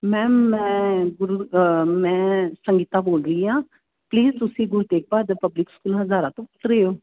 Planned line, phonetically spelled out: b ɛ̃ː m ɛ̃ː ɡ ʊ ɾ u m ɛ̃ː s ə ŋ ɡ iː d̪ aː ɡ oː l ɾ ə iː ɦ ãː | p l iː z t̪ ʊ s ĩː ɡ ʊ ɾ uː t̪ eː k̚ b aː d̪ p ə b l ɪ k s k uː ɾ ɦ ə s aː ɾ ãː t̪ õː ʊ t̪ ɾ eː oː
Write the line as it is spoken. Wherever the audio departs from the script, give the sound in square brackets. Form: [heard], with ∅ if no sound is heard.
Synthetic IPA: [m] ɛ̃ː m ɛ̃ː ɡ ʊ ɾ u m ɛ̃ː s ə ŋ ɡ iː [t̪] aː [b] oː l ɾ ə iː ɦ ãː | p l iː z t̪ ʊ s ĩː ɡ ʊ ɾ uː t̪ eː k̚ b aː d̪ p ə b l ɪ k s k uː [l] ɦ ə [z] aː ɾ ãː t̪ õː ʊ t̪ ɾ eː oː